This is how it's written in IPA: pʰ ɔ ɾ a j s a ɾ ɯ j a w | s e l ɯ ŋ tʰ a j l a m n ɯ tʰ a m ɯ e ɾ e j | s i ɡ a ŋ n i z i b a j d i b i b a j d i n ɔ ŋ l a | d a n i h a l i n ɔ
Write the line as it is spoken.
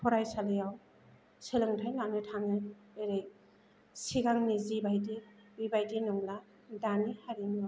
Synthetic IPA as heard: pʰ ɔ ɾ a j s a l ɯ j a w | s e l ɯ ŋ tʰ a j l a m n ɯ tʰ a ŋ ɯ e ɾ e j | s i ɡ a ŋ n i z i b a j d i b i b a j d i n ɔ ŋ l a | d a n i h a ɾ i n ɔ